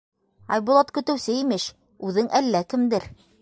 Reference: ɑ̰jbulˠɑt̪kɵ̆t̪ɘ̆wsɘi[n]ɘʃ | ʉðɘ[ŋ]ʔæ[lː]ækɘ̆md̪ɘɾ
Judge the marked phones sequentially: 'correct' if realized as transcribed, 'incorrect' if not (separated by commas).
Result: incorrect, correct, correct